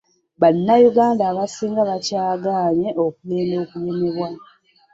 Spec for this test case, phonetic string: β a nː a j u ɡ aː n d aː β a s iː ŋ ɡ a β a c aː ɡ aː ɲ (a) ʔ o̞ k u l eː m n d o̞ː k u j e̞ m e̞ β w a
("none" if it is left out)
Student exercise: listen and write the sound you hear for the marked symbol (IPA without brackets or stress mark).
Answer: e